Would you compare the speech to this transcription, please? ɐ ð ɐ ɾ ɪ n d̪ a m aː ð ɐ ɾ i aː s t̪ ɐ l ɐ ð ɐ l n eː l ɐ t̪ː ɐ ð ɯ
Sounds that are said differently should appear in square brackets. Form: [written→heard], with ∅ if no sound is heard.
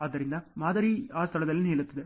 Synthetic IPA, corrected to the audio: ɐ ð ɐ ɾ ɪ n d̪ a m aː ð ɐ ɾ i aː s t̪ ɐ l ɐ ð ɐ l n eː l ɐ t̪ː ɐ ð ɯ